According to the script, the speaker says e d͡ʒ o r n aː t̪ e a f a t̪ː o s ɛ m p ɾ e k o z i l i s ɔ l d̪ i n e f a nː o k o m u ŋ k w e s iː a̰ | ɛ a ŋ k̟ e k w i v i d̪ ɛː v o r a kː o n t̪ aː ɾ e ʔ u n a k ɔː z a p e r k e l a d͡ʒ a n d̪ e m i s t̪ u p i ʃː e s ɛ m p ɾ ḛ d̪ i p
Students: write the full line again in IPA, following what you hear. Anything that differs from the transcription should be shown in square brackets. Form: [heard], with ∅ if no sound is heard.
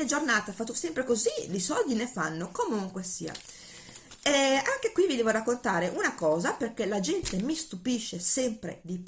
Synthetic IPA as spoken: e d͡ʒ o r n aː t̪ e a f a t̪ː o s ɛ m p ɾ e k o z i l i s ɔ l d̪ i n e f a nː o k o m u ŋ k w e s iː a̰ | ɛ a ŋ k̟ e k w i v i d̪ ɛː v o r a kː o n t̪ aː ɾ e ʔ u n a k ɔː z a p e r k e l a d͡ʒ [ɛ] n [t̪] e m i s t̪ u p i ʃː e s ɛ m p ɾ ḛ d̪ i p